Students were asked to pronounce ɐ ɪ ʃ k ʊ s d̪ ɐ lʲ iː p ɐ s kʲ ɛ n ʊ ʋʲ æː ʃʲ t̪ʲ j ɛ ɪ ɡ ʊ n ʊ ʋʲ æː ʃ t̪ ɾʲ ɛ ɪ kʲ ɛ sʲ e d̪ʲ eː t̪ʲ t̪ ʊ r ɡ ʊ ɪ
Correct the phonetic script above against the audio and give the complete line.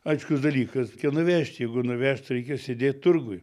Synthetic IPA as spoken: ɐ ɪ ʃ k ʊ s d̪ ɐ lʲ iː k ɐ s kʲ ɛ n ʊ ʋʲ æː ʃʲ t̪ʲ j ɛ ɪ ɡ ʊ n ʊ ʋʲ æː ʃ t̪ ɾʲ ɛ ɪ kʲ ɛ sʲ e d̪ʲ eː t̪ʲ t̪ ʊ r ɡ ʊ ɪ